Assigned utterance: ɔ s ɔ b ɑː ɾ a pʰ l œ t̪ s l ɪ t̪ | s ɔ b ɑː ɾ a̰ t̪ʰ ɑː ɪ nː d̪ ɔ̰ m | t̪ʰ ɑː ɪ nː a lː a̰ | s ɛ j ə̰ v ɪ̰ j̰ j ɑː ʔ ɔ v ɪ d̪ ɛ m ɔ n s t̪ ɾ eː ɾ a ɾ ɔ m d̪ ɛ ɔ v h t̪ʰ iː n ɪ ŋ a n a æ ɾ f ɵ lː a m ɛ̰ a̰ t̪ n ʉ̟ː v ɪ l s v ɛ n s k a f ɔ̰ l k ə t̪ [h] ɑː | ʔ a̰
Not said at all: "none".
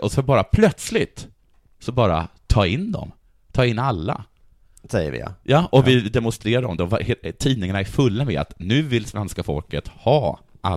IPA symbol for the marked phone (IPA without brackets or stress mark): h